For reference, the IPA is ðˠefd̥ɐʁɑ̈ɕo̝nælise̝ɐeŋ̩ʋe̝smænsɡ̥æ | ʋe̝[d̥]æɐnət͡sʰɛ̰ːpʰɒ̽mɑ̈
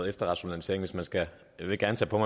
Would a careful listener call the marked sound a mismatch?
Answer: yes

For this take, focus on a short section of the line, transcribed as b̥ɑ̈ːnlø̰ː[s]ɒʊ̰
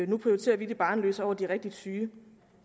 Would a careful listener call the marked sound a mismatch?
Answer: no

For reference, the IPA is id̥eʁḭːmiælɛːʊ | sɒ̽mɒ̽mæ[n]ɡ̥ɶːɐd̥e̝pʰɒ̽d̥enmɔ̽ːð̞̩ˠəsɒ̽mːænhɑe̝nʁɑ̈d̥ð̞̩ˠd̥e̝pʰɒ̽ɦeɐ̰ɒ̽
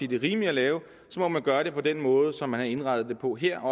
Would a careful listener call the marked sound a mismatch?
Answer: no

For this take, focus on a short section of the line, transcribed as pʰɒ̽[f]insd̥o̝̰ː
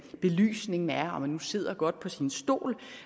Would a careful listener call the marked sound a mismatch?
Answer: yes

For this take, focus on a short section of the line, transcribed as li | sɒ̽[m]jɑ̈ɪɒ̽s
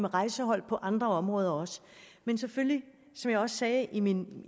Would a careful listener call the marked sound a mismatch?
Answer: no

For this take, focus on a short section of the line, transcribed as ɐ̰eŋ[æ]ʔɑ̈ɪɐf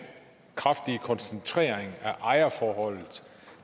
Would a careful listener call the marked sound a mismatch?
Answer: no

